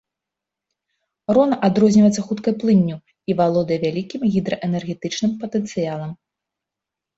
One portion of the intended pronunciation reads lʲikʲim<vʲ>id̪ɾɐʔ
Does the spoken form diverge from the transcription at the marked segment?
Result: yes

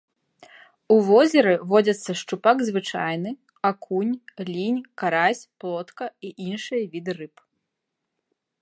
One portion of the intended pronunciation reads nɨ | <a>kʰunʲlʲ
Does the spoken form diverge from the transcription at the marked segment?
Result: no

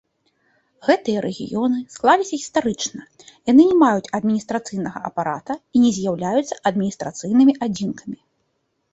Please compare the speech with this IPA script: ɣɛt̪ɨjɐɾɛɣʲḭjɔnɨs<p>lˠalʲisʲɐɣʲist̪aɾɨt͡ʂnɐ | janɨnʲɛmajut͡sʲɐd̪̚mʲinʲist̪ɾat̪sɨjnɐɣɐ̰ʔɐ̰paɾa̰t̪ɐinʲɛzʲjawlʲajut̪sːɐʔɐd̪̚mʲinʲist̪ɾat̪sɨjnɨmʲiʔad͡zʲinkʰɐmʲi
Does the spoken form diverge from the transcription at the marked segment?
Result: yes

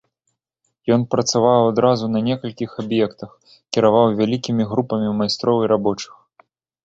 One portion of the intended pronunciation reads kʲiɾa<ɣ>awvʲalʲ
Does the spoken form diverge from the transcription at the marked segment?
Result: yes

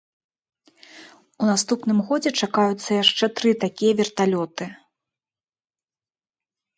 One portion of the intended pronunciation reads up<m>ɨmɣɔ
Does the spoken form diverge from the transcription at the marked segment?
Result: yes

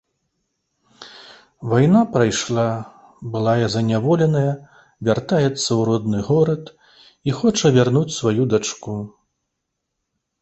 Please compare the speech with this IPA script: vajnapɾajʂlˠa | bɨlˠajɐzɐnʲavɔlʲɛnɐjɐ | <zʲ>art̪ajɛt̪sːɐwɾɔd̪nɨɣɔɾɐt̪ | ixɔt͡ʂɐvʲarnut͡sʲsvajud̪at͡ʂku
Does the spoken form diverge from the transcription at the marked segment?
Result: yes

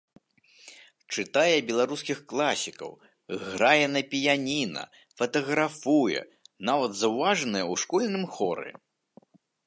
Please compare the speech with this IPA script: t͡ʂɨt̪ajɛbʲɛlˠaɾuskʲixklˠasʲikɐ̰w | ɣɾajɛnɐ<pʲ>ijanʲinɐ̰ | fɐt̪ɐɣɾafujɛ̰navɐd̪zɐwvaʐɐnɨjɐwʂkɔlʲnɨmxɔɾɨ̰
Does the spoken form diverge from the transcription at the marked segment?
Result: no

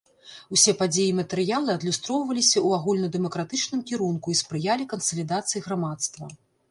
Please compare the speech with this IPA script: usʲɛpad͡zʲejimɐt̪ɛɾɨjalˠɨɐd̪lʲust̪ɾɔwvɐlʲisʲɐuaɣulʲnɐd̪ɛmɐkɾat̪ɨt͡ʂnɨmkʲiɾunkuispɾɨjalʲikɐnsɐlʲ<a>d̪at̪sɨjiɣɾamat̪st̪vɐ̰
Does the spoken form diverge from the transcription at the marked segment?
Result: yes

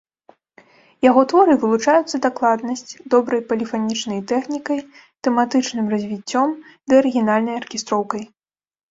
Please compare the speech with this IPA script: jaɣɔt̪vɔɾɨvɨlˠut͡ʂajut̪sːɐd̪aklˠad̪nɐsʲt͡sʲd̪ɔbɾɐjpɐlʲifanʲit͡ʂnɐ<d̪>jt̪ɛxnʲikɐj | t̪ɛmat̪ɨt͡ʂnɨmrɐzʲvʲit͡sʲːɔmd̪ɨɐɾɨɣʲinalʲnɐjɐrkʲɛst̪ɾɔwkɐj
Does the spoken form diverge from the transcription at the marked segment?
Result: yes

